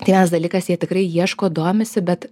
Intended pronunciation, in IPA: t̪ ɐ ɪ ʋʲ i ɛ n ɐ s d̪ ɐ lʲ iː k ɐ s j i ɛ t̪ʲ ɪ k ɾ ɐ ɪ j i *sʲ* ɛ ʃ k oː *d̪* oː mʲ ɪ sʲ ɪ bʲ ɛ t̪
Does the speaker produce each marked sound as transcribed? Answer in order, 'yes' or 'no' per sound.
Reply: no, yes

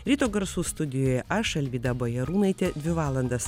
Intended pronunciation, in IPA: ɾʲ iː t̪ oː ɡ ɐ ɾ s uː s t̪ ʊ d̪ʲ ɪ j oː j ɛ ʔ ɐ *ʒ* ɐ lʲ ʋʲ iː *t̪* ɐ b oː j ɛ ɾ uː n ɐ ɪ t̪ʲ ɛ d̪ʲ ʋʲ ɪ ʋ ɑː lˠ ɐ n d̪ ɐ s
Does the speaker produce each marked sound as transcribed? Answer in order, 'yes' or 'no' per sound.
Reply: no, no

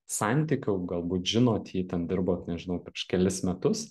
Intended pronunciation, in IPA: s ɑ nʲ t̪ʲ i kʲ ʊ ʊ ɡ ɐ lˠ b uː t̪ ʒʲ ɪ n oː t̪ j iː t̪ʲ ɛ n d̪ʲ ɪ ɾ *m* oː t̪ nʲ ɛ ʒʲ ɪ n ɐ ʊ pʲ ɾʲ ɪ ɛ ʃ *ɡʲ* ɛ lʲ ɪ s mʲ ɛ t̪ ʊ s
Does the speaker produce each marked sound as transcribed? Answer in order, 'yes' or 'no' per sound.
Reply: no, no

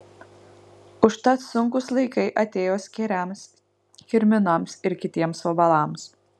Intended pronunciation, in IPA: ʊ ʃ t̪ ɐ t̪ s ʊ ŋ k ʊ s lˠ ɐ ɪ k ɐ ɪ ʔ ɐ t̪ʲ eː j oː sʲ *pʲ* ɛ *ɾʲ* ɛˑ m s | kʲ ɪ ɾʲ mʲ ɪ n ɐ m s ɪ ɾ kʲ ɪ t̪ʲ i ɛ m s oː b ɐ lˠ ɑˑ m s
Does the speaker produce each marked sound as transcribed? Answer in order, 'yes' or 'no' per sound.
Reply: no, yes

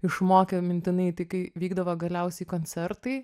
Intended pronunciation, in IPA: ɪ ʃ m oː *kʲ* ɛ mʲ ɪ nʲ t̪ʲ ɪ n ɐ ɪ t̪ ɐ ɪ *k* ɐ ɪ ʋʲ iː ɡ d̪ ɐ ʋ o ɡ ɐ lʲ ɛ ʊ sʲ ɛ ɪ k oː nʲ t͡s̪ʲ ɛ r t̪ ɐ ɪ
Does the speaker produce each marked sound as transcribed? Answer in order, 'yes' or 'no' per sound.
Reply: yes, yes

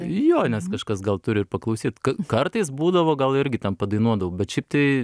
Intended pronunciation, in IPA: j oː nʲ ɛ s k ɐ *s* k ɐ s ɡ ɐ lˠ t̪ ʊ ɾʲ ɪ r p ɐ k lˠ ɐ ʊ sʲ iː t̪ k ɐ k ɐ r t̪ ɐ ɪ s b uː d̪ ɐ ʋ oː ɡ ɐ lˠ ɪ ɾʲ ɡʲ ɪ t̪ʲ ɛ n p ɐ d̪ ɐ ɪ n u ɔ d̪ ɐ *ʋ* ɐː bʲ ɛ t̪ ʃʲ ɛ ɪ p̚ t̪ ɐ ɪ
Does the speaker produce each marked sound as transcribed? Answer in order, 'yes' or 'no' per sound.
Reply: no, yes

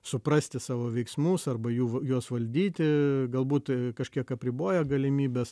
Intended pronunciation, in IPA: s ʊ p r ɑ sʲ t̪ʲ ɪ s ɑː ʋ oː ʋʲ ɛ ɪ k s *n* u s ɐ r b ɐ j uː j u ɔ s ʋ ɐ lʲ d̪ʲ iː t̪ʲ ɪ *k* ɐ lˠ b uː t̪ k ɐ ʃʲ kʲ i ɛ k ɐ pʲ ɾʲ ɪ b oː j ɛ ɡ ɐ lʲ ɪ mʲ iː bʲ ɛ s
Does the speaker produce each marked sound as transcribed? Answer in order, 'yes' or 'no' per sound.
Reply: no, no

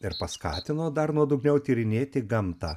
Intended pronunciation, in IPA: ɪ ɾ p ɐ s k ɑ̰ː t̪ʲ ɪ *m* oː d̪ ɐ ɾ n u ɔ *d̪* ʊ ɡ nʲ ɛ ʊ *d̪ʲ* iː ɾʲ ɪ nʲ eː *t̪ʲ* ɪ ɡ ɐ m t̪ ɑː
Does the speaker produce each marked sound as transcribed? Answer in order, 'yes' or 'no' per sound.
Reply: no, yes, no, yes

